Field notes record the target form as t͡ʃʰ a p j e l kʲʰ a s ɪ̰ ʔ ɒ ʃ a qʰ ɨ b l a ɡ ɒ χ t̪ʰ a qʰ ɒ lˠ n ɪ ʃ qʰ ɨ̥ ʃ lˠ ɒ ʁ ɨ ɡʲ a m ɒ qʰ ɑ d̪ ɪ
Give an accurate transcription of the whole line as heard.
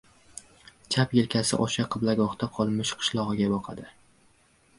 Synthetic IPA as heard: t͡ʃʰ a p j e l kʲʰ a s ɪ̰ ʔ ɒ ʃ a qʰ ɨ b l a ɡ ɒ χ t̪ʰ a qʰ ɒ lˠ m ɪ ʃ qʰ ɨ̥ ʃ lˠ ɒ ʁ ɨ ɡʲ a b ɒ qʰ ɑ d̪ ɪ